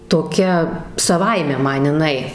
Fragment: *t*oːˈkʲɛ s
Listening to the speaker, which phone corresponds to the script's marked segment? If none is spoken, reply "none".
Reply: t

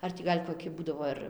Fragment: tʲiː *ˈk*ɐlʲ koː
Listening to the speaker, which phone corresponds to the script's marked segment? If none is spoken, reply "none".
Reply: ɡ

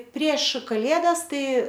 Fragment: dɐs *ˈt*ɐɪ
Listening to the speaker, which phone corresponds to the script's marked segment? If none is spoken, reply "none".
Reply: t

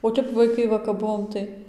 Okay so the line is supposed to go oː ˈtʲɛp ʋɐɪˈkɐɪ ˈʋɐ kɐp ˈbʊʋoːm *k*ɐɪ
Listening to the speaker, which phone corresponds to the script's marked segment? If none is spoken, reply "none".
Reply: t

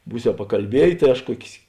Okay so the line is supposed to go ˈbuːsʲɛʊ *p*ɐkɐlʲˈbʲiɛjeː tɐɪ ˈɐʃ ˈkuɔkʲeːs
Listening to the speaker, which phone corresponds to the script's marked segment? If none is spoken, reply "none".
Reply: p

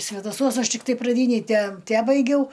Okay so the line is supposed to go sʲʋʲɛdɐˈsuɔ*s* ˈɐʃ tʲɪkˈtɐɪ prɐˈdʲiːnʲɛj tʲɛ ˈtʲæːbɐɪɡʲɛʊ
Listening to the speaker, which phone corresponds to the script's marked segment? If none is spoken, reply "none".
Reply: s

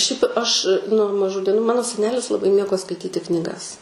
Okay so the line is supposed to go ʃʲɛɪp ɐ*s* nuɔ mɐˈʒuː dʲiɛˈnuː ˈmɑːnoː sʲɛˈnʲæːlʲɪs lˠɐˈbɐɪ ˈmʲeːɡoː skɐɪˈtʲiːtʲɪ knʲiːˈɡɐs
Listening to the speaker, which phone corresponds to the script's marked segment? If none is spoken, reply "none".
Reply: ʃ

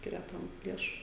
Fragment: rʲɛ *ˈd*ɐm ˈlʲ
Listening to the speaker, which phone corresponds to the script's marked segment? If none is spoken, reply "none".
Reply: t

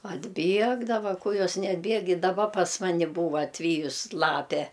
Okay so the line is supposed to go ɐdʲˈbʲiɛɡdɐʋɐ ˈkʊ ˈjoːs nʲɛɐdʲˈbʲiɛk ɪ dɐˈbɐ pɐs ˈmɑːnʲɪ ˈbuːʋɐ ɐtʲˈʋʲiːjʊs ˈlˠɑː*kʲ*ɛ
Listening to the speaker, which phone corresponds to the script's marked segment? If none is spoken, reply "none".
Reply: pʲ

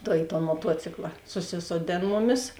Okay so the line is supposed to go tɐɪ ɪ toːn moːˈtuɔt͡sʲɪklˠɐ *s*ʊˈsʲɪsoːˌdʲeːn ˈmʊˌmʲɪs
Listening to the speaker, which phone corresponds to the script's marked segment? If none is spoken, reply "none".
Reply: s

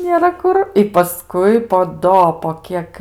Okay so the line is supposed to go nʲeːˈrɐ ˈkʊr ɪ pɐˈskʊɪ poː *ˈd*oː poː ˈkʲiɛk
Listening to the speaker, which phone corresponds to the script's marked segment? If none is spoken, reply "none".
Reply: d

